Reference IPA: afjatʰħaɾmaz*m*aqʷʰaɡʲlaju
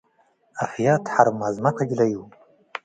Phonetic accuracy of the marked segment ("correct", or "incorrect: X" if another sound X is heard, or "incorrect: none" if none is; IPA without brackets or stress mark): correct